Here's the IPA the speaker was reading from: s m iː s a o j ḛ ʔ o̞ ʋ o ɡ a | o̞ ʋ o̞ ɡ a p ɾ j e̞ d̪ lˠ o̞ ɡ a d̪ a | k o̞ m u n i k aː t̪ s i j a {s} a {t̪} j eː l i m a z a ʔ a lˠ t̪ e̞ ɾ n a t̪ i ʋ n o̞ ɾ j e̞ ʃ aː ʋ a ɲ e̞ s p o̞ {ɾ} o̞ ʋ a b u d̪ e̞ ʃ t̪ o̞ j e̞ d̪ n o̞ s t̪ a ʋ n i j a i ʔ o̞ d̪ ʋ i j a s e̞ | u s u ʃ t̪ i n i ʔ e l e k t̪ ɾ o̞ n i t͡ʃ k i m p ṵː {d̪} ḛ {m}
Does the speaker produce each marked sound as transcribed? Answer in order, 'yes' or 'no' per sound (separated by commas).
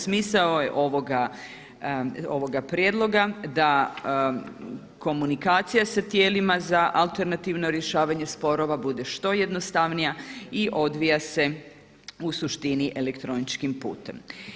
yes, yes, yes, no, yes